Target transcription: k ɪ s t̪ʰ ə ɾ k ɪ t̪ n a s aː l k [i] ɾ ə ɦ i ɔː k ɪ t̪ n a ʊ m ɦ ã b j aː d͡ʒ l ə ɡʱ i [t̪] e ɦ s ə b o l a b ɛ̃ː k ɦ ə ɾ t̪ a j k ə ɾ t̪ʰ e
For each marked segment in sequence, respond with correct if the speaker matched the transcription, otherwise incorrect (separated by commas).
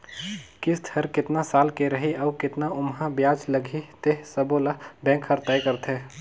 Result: incorrect, correct